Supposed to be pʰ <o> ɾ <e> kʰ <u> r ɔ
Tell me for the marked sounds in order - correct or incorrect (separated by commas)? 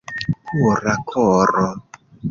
incorrect, incorrect, incorrect